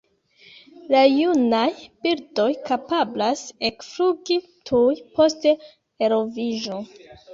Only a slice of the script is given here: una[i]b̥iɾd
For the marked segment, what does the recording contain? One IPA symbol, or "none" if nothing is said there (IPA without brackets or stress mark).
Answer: j